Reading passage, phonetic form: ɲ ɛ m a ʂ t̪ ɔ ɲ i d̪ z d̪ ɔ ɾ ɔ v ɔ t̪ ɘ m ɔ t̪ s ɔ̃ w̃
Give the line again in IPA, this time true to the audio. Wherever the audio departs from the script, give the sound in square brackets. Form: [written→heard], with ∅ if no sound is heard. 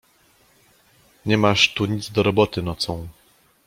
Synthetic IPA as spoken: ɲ ɛ m a ʂ t̪ [ɔ→u] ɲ i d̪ z d̪ ɔ ɾ ɔ [v→b] ɔ t̪ ɘ [m→n] ɔ t̪ s ɔ̃ w̃